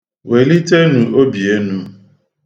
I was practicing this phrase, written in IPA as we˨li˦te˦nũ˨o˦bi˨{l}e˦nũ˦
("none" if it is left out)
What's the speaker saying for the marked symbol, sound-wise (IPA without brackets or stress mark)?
none